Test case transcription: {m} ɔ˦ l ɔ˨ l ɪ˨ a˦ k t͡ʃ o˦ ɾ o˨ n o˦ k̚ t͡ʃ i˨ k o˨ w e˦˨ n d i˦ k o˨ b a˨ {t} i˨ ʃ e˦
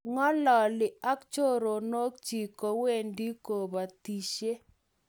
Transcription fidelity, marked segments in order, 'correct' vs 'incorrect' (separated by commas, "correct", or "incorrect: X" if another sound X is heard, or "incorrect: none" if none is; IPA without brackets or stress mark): incorrect: ŋ, correct